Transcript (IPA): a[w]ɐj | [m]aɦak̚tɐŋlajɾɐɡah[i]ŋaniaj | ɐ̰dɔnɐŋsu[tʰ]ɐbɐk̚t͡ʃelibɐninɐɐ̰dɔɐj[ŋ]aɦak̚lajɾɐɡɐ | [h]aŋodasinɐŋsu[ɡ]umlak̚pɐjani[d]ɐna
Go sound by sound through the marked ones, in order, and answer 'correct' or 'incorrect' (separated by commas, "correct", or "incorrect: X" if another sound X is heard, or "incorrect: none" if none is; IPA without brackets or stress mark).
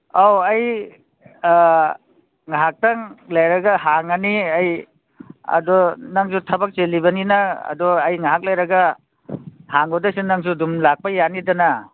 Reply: correct, incorrect: ŋ, incorrect: a, correct, correct, correct, incorrect: d, correct